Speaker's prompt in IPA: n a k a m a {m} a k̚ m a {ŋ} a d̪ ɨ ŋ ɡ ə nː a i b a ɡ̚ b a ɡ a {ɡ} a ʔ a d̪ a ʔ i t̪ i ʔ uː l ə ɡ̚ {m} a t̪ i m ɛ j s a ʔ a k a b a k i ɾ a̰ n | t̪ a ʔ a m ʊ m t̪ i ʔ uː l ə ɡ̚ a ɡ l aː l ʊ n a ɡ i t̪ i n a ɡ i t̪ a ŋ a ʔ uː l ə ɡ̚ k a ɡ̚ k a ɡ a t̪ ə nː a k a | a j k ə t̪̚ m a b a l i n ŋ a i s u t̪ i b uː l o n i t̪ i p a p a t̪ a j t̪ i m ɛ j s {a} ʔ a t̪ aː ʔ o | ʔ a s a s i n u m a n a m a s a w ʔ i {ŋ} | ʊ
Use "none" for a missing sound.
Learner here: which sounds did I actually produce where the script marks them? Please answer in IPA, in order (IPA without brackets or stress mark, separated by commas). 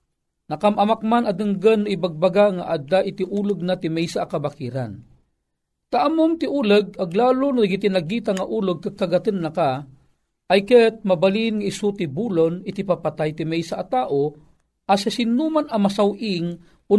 m, n, ŋ, n, a, ŋ